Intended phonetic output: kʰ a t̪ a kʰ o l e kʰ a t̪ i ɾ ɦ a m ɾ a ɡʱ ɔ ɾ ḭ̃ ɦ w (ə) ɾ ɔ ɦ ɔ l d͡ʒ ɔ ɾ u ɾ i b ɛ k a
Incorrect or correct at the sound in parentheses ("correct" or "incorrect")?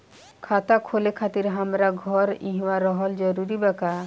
incorrect